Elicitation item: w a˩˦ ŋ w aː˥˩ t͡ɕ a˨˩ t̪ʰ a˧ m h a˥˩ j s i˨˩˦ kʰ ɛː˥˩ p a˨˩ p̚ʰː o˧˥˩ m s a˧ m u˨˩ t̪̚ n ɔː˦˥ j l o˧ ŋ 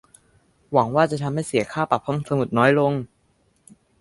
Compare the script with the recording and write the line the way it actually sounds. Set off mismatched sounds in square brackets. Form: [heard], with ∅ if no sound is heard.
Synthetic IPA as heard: w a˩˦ ŋ w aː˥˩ t͡ɕ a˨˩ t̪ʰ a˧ m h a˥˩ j s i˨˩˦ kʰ [aː˥˩] p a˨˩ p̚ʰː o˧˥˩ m s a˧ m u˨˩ t̪̚ n ɔː˦˥ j l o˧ ŋ